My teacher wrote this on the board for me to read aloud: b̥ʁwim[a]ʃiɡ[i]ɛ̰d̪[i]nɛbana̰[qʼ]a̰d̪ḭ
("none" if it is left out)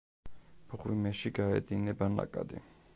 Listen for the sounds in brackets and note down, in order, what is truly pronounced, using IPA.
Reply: ɛ, a, i, kʼ

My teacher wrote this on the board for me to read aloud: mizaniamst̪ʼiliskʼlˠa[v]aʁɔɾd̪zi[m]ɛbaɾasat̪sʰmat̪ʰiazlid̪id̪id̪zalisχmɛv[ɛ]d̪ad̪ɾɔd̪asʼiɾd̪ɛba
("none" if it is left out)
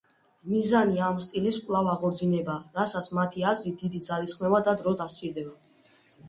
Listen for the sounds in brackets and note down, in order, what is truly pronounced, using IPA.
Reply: v, n, a

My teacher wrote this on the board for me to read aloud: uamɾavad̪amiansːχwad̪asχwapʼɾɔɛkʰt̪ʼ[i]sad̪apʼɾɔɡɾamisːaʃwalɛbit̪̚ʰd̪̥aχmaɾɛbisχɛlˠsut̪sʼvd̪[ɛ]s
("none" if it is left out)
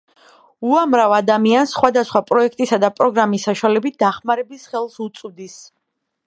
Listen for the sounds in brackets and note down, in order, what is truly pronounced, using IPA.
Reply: i, i

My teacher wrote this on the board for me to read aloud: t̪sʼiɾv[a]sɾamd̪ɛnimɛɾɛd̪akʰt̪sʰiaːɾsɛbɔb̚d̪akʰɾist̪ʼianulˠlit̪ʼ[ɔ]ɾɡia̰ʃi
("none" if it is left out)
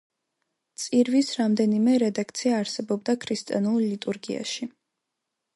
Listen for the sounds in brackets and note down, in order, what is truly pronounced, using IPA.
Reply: i, u

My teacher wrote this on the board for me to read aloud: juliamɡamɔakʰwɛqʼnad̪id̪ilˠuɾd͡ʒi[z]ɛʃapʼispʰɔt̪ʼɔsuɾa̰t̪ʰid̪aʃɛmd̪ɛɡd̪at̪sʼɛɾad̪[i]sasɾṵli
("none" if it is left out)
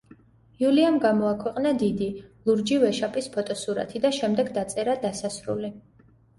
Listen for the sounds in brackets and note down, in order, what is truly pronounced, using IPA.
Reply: v, a

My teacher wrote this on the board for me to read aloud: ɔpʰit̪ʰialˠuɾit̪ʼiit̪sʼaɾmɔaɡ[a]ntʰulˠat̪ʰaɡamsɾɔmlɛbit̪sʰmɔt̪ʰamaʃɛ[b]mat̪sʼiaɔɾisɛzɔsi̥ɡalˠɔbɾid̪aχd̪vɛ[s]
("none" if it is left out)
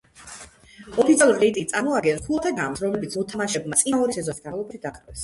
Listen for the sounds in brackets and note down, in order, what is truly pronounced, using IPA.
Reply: ɛ, b, s

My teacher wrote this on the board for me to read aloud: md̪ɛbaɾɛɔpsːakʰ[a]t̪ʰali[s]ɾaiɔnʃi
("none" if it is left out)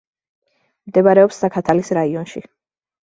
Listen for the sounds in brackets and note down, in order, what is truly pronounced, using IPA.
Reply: a, s

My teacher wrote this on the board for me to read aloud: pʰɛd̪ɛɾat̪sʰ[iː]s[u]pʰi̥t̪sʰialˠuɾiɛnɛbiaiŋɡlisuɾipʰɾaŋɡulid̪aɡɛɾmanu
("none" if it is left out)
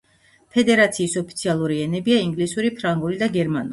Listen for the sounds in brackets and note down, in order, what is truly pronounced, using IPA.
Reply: iː, ɔ

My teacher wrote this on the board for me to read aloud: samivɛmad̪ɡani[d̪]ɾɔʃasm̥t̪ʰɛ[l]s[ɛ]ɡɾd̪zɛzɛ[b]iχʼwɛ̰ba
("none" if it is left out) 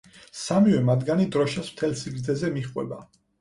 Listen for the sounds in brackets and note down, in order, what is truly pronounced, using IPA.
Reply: d̪, l, i, m

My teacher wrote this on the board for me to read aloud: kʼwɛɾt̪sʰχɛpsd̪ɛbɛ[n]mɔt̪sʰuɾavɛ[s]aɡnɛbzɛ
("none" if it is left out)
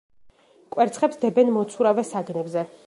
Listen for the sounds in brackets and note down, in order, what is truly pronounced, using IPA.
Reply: n, s

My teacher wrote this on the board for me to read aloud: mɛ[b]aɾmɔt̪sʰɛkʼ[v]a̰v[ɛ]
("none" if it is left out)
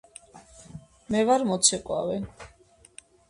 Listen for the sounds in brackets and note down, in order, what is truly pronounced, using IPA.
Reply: v, w, ɛ

